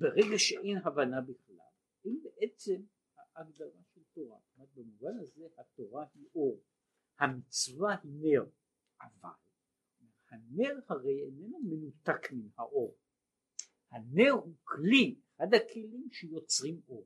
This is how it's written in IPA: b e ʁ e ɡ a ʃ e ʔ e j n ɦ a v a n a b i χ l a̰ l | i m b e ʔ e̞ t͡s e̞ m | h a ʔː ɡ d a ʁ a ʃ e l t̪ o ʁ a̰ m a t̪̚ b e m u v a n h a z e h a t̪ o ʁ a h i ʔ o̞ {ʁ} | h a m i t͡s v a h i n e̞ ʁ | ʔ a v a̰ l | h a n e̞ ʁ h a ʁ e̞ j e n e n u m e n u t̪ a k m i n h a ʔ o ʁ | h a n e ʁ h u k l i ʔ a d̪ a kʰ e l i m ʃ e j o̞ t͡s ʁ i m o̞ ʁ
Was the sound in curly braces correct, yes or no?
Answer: yes